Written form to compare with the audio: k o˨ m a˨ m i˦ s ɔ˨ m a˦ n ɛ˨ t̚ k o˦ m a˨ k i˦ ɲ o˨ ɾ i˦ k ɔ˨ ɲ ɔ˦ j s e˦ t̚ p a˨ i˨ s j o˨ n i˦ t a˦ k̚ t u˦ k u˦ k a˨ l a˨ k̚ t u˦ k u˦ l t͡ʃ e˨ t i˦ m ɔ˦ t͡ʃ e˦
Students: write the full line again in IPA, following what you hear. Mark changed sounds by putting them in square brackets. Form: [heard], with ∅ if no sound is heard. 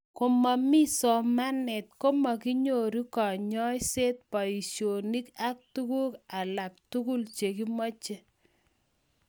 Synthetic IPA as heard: k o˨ m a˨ m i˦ s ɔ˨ m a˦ n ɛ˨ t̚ k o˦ m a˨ k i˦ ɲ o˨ ɾ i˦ k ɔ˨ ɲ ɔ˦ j s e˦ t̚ p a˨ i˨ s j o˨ n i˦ [k] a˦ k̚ t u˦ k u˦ k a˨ l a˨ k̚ t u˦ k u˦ l t͡ʃ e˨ [k] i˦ m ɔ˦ t͡ʃ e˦